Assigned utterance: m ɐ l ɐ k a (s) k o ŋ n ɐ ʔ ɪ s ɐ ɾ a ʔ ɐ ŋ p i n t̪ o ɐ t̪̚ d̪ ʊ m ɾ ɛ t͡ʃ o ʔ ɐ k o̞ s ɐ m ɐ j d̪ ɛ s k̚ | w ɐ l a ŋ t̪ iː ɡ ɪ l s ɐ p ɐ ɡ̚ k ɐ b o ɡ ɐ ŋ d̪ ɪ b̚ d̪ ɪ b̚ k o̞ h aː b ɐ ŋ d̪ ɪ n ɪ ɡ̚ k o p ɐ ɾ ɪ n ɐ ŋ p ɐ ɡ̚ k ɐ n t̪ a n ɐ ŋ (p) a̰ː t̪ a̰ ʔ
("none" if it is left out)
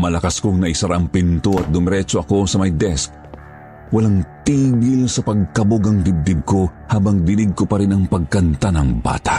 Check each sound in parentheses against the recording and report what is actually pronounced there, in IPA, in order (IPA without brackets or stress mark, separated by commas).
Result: s, b